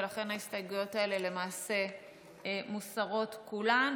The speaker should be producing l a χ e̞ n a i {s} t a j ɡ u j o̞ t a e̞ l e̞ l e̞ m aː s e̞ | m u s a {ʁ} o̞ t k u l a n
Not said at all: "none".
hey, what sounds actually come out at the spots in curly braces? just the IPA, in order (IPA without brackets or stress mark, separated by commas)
s, ʁ